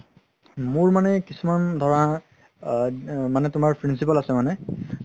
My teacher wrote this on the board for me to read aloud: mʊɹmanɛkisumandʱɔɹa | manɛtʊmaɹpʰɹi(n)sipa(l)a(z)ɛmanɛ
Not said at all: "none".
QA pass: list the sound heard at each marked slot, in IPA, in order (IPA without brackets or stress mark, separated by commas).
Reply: n, l, s